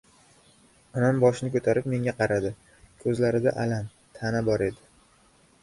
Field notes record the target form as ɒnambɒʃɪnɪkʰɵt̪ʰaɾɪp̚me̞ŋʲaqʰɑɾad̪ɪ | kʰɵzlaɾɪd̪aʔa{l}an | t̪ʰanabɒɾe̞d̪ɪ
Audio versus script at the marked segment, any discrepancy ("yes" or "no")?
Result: no